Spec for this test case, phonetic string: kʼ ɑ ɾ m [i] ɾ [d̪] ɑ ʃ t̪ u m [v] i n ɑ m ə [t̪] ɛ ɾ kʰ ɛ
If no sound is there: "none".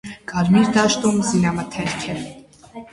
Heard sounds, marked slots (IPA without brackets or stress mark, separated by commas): i, d̪, z, t̪ʰ